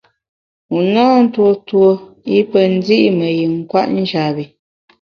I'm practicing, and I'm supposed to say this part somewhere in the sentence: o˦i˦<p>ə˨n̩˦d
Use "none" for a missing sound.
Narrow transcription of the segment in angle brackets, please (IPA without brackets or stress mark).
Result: p